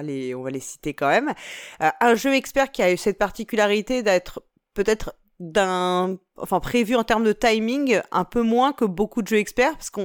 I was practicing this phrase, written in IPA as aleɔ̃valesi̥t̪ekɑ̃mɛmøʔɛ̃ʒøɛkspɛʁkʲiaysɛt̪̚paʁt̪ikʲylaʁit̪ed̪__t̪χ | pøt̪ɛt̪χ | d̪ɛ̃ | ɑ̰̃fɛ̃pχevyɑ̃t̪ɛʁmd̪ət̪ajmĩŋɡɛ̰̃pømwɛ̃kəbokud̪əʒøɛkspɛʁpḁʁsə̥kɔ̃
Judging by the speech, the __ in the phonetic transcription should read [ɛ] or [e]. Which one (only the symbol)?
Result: ɛ